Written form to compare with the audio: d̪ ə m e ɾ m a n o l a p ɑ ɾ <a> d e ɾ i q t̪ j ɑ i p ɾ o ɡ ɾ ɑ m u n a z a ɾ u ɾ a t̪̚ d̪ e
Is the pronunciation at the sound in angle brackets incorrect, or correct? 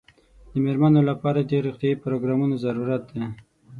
correct